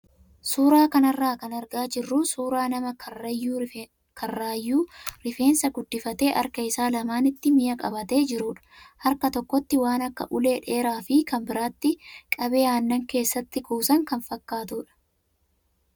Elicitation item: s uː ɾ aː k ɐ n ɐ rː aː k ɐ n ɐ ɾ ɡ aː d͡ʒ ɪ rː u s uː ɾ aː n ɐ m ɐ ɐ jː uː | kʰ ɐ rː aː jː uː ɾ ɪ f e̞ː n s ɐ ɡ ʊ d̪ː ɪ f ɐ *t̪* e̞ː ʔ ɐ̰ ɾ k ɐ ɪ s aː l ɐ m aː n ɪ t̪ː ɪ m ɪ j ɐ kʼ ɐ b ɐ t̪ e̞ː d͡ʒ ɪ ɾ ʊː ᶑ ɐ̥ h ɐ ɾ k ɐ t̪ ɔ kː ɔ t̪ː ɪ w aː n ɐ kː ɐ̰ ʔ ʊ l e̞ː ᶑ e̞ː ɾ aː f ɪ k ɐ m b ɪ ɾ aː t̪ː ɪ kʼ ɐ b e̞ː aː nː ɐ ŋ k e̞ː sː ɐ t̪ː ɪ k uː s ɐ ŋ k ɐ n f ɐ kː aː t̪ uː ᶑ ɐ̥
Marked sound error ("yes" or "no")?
no